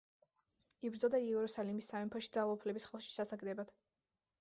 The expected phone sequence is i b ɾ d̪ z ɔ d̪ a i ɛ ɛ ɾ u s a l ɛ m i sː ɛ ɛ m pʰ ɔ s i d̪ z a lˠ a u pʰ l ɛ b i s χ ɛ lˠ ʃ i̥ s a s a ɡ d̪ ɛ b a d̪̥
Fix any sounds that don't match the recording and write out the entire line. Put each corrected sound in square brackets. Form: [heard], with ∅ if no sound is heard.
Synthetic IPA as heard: i b ɾ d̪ z ɔ d̪ a i ɛ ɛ ɾ u s a l [i] m i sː [a] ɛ m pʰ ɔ [ʃ] i d̪ z a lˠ a u pʰ l ɛ b i s χ ɛ lˠ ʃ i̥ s a s a ɡ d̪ ɛ b a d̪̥